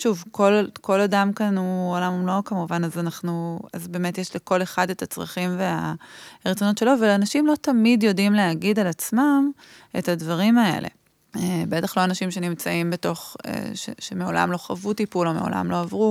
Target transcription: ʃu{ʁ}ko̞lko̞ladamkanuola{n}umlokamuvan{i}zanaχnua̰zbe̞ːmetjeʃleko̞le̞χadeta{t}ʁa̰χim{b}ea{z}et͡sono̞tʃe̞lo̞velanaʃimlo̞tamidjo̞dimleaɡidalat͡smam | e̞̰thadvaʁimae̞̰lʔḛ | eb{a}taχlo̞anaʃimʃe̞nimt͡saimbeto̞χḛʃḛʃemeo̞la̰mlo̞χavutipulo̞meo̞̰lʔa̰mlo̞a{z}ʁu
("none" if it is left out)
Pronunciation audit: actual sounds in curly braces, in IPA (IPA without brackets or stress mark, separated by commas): v, m, a, t͡s, v, ʁ, e, v